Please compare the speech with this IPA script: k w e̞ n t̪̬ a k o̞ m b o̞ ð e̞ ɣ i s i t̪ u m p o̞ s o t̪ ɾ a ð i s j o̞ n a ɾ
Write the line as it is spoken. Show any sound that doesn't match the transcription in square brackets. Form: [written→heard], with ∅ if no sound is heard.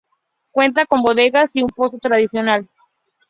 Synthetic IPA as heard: k w e̞ n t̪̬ a k o̞ m b o̞ ð e̞ ɣ [i→a] s i [t̪→∅] u m p o̞ s o t̪ ɾ a ð i s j o̞ n a [ɾ→l]